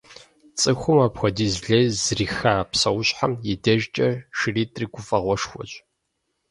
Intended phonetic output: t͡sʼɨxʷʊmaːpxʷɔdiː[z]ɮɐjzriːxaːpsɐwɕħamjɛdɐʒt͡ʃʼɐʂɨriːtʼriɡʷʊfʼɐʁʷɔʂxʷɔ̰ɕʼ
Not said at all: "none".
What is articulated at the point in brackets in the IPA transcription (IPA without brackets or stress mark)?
z